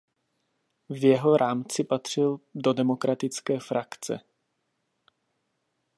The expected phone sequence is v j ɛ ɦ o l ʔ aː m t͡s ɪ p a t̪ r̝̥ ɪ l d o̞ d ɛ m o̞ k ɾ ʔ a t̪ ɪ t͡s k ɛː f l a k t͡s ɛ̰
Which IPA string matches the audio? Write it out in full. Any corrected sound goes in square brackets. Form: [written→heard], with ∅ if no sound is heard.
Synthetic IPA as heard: v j ɛ ɦ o [l→ɾ] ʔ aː m t͡s ɪ p a t̪ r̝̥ ɪ l d o̞ d ɛ m o̞ k ɾ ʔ a t̪ ɪ t͡s k ɛː f [l→ɾ] a k t͡s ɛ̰

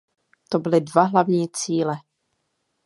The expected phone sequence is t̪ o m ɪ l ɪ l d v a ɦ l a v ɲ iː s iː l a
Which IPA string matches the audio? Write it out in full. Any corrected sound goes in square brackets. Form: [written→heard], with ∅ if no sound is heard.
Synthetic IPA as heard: t̪ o [m→b] ɪ l ɪ [l→∅] d v a ɦ l a v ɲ iː [s→t͡s] iː l [a→ɛ]

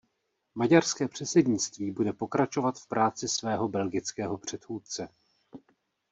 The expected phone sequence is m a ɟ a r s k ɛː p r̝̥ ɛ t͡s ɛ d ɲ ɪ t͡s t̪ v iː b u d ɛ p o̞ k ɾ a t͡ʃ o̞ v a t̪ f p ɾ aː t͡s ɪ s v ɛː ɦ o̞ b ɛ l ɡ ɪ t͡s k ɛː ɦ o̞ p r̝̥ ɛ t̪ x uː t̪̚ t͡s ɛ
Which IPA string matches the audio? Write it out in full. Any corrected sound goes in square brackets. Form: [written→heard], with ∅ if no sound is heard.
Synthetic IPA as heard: m a ɟ a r s k ɛː p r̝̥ ɛ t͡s ɛ d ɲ ɪ t͡s t̪ v iː b u d ɛ p o̞ k ɾ a t͡ʃ o̞ v a t̪ f p ɾ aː t͡s ɪ s v ɛː ɦ o̞ b ɛ l ɡ ɪ t͡s k ɛː ɦ o̞ p r̝̥ ɛ t̪ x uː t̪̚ t͡s ɛ

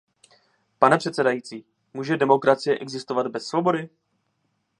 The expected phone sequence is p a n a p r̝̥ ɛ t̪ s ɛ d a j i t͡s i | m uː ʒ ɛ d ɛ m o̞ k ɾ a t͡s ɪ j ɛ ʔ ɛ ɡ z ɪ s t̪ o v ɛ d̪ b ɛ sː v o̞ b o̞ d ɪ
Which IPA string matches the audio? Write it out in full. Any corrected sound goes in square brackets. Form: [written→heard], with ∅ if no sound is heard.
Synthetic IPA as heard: p a n [a→ɛ] p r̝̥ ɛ t̪ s ɛ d a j i t͡s [i→iː] | m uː ʒ ɛ d ɛ m o̞ k ɾ a t͡s ɪ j ɛ ʔ ɛ ɡ z ɪ s t̪ o v [ɛ→a] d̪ b ɛ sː v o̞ b o̞ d ɪ

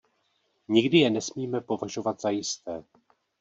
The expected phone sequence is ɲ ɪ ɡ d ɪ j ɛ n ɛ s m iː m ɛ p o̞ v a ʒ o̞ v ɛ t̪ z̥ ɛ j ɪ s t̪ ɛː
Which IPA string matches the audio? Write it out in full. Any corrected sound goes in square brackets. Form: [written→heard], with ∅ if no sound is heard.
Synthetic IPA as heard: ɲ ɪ ɡ d ɪ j ɛ n ɛ s m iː m ɛ p o̞ v a ʒ o̞ v [ɛ→a] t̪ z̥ [ɛ→a] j ɪ s t̪ ɛː

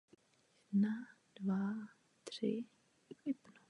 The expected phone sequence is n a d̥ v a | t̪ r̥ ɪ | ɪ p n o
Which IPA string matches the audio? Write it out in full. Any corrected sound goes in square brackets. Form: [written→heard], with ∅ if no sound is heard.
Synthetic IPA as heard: n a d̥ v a | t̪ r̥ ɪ | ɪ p n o

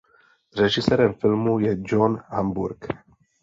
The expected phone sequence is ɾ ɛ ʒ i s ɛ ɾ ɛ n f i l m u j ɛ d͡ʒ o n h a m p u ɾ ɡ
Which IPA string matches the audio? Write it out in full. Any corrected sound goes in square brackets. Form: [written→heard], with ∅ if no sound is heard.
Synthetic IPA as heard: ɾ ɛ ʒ i s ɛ ɾ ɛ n f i l m u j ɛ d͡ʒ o n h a m [p→b] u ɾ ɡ

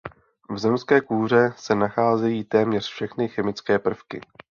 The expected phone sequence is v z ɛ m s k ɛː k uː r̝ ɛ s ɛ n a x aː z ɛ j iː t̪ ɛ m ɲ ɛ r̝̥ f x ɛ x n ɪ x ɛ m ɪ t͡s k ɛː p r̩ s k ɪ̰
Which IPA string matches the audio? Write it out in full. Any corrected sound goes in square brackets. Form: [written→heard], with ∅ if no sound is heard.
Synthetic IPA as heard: v z ɛ m s k ɛː k uː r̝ ɛ s ɛ n a x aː z ɛ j iː t̪ [ɛ→ɛː] m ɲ ɛ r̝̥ f [x→ʃ] ɛ x n ɪ x ɛ m ɪ t͡s k ɛː p r̩ [s→f] k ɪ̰

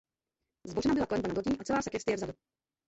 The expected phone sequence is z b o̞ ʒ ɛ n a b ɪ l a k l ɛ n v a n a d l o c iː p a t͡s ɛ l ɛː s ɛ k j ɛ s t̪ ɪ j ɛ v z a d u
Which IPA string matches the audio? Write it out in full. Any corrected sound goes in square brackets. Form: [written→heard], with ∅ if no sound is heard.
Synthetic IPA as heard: z b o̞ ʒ ɛ n a b ɪ l a k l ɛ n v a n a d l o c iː [p→ʔ] a t͡s ɛ l [ɛː→aː] s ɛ k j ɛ s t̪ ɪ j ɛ v z a d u

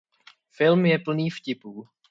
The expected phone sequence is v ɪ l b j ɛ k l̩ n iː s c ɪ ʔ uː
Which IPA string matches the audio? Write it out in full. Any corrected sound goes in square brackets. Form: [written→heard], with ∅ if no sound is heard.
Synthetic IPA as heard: [v→f] ɪ l [b→m] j ɛ [k→p] l̩ n iː [s→f] c ɪ [ʔ→p] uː

